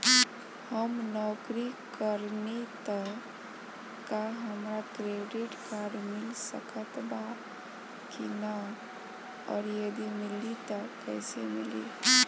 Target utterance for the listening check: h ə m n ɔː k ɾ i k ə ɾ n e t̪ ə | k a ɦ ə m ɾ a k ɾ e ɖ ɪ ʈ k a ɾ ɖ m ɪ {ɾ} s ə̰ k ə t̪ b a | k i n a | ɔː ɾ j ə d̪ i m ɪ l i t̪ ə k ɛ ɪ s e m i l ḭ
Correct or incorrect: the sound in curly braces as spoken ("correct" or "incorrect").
incorrect